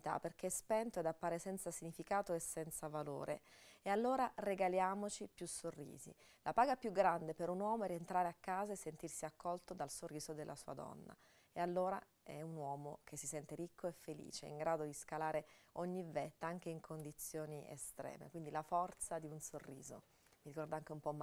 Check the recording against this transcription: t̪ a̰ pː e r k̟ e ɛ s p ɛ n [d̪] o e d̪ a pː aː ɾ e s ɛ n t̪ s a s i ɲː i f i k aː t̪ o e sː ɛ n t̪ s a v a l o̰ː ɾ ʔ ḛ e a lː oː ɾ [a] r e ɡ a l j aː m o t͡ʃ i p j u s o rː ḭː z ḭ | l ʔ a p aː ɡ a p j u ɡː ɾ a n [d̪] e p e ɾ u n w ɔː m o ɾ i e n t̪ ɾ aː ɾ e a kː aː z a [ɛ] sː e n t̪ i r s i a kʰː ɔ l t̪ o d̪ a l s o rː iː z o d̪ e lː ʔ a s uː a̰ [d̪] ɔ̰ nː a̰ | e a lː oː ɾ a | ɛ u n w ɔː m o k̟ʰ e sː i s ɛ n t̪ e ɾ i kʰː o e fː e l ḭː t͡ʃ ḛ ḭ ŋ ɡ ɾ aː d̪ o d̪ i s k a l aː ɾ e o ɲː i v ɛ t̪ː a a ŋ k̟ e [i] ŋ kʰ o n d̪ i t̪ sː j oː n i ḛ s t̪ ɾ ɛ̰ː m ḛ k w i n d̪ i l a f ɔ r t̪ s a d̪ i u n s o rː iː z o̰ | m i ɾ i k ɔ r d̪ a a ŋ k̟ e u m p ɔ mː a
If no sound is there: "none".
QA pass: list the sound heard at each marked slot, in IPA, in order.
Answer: t̪, a, d̪, e, d̪, i

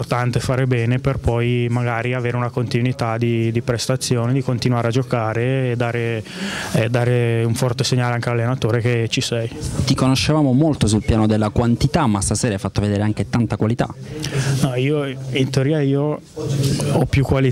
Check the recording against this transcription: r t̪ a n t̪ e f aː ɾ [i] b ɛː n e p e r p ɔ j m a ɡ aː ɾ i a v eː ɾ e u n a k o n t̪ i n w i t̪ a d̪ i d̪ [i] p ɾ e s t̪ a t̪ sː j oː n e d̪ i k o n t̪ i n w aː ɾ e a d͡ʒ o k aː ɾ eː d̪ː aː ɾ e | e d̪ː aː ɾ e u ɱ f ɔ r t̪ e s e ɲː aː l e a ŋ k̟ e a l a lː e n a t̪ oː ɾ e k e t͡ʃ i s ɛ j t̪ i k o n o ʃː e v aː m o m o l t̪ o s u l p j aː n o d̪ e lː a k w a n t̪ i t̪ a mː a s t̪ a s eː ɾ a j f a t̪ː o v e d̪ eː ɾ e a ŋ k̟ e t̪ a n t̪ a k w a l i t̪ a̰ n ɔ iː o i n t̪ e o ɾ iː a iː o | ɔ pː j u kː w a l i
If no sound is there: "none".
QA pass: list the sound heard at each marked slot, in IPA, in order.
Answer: e, i

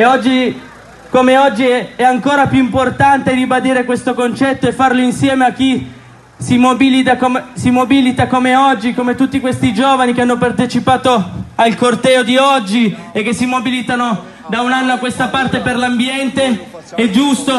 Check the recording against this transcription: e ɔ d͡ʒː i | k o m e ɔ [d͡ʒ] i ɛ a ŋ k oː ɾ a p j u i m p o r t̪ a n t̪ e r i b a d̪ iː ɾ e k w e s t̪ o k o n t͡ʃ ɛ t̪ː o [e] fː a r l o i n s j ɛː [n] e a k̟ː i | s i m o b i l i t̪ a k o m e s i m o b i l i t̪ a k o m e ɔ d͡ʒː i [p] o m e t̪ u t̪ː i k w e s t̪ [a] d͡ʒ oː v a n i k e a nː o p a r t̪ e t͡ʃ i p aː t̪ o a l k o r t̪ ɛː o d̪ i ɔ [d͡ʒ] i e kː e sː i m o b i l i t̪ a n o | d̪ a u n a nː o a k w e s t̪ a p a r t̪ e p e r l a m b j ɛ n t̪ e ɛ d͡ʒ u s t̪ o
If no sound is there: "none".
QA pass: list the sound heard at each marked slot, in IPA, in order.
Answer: d͡ʒː, e, m, k, i, d͡ʒː

